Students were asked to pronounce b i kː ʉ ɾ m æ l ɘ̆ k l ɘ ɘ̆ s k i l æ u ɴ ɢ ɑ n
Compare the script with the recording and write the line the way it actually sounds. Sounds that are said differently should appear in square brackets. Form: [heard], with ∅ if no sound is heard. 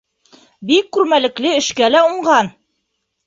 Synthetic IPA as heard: b i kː ʉ ɾ m æ l ɘ̆ k l ɘ ɘ̆ [ʃ] k [æ] l æ u ɴ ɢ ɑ n